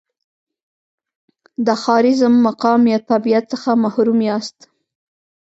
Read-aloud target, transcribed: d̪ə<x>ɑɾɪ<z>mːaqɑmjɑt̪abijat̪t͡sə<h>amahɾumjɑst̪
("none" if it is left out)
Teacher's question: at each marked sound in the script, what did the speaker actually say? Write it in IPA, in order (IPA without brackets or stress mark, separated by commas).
x, z, x